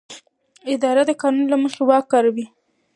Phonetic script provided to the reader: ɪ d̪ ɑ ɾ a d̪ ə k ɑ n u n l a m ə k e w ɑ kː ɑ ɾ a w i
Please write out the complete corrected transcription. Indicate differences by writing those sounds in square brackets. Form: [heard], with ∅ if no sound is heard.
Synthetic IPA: ɪ d̪ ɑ ɾ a d̪ ə k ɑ n u n l a m ə [x] e w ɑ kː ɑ ɾ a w i